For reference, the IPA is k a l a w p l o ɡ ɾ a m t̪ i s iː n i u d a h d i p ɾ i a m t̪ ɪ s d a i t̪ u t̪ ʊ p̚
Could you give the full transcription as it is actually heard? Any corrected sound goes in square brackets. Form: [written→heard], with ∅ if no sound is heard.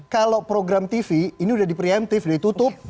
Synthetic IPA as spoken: k a l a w p [l→ɾ] o ɡ ɾ a m t̪ i [s→f] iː n i u d a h d i p ɾ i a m t̪ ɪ [s→f] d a i t̪ u t̪ ʊ p̚

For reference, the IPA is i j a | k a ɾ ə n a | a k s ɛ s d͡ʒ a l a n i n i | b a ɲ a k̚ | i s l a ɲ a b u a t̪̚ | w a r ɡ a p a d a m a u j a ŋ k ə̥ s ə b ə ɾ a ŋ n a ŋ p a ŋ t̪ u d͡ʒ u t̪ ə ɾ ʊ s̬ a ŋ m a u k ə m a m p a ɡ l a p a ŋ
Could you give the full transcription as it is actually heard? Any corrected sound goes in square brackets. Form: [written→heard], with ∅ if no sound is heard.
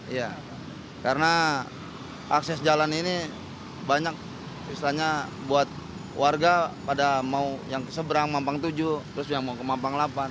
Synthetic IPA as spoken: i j a | k a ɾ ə n a | a k s ɛ s d͡ʒ a l a n i n i | b a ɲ a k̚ | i s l a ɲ a b u a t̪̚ | w a r ɡ a p a d a m a u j a ŋ k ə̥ s ə b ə ɾ a ŋ [n→m] a [ŋ→m] p a ŋ t̪ u d͡ʒ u t̪ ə ɾ ʊ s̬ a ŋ m a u k ə m a m p a [ɡ→ŋ] l a p a [ŋ→n]

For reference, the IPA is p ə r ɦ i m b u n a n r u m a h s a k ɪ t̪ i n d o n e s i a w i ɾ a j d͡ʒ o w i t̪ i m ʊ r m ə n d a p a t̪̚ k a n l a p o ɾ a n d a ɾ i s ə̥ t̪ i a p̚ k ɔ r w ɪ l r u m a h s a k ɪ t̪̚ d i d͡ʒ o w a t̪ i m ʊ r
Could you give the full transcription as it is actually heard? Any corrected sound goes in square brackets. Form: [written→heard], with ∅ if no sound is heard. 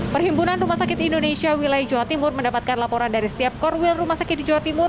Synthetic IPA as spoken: p ə r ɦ i m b u n a n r u m a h s a k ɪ t̪ i n d o n e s i a w i [ɾ→l] a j d͡ʒ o w [i→a] t̪ i m ʊ r m ə n d a p a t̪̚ k a n l a p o ɾ a n d a ɾ i s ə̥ t̪ i a p̚ k ɔ r w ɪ l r u m a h s a k ɪ t̪̚ d i d͡ʒ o w a t̪ i m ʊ r

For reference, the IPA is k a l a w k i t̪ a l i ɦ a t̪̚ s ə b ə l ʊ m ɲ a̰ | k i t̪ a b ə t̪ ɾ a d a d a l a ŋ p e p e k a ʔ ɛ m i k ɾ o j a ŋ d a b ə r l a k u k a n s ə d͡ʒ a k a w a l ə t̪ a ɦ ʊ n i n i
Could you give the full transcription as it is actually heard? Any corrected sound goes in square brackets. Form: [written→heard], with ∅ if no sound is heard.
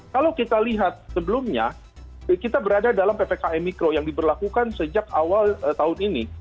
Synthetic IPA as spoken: k a l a w k i t̪ a l i ɦ a t̪̚ s ə b ə l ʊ m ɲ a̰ | k i t̪ a b ə [t̪→∅] ɾ a d a d a l a [ŋ→m] p e p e k a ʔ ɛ m i k ɾ o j a ŋ d [a→i] b ə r l a k u k a n s ə d͡ʒ a k a w a l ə t̪ a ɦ ʊ n i n i

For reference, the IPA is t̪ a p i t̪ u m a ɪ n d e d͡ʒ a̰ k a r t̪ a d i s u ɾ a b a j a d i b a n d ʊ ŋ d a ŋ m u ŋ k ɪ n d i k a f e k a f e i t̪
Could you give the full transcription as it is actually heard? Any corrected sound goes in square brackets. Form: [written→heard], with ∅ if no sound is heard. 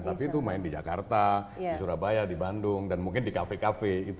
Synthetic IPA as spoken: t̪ a p i t̪ u m a ɪ n d [e→i] d͡ʒ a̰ k a r t̪ a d i s u ɾ a b a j a d i b a n d ʊ ŋ d a [ŋ→n] m u ŋ k ɪ n d i k a f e k a f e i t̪

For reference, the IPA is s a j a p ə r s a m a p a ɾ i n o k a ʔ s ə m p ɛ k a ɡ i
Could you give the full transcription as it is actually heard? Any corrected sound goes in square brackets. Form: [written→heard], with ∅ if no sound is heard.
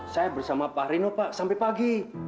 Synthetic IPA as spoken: s a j a [p→b] ə r s a m a p a ɾ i n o [k→p] a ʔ s [ə→a] m p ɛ [k→p] a ɡ i

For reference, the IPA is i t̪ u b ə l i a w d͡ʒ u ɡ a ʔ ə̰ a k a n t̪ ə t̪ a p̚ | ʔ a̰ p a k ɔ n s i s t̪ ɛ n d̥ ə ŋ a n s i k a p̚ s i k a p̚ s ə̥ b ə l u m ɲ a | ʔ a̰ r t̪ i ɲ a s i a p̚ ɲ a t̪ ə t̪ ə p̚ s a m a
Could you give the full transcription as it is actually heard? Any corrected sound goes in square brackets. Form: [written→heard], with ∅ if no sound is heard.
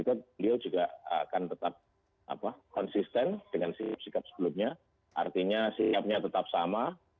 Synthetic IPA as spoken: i t̪ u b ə l i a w d͡ʒ u ɡ a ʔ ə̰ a k a n t̪ ə t̪ a p̚ | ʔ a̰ p a k ɔ n s i s t̪ ɛ n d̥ ə ŋ a n s i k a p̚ s i k a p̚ s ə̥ b ə l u m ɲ a | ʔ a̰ r t̪ i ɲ a s i a p̚ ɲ a t̪ ə t̪ [ə→a] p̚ s a m a

